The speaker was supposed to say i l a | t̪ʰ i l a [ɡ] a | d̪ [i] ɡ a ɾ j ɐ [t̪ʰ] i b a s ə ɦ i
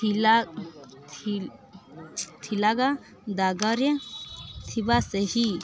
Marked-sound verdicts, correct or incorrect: correct, incorrect, correct

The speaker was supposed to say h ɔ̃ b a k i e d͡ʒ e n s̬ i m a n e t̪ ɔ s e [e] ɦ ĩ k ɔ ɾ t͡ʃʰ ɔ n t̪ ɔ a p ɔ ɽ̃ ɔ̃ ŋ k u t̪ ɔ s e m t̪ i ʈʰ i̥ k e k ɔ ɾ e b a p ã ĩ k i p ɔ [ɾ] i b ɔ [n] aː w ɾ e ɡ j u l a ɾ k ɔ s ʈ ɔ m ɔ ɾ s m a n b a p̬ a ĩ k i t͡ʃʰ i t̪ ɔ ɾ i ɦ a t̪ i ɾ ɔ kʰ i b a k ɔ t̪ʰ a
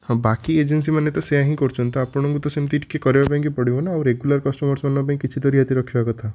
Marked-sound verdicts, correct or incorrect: incorrect, incorrect, correct

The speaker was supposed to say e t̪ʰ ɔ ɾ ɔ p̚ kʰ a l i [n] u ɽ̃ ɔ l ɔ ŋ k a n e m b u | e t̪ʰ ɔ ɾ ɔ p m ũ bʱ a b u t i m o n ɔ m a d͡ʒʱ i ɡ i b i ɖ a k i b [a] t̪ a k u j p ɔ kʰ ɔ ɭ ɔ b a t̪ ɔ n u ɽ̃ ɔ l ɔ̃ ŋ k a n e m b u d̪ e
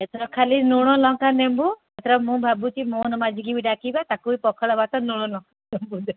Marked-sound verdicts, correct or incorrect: correct, correct

